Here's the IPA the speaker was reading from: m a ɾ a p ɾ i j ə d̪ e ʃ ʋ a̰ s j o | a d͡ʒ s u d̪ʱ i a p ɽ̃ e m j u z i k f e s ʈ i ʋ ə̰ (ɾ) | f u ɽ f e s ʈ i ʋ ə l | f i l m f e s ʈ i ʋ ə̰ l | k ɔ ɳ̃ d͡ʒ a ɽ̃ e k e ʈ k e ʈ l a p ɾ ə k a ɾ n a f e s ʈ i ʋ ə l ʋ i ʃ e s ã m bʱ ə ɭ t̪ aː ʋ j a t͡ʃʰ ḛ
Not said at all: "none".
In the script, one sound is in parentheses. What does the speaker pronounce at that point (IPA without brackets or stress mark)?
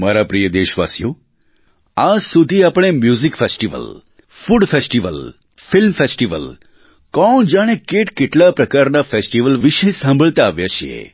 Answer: l